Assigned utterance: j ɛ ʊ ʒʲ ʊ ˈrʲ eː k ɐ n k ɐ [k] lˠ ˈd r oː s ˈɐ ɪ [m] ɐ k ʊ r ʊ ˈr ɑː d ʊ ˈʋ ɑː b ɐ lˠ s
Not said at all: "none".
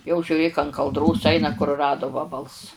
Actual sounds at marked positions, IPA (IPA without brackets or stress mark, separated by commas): none, n